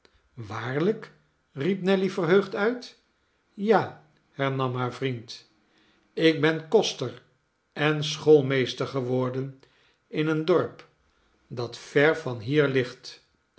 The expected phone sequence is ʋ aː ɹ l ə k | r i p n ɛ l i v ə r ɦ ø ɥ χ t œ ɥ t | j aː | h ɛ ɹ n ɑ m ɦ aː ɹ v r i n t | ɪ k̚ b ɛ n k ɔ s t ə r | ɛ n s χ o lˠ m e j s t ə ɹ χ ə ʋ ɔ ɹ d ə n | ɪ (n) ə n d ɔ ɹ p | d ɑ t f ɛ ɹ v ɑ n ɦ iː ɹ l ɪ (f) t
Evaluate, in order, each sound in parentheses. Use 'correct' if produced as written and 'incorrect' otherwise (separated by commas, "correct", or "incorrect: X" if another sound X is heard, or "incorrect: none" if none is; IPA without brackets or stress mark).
correct, incorrect: χ